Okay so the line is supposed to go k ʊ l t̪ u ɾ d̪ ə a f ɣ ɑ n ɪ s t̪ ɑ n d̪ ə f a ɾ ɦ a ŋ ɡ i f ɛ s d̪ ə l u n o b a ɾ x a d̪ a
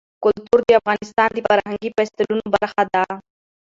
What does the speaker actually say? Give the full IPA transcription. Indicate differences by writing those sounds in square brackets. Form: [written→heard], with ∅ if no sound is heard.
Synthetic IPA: k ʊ l t̪ u ɾ d̪ ə a f ɣ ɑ n ɪ s t̪ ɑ n d̪ ə f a ɾ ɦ a ŋ ɡ i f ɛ s [d̪→t̪] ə l u n o b a ɾ x a d̪ a